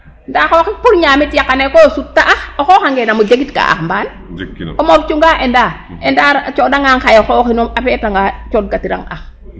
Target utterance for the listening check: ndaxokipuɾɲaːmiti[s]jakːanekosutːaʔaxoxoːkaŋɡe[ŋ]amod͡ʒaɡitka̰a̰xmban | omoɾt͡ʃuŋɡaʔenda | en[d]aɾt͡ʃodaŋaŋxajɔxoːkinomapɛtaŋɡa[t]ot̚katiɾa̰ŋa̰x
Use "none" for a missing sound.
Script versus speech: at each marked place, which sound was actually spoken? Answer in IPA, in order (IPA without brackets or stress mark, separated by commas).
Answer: none, n, d, t͡ʃ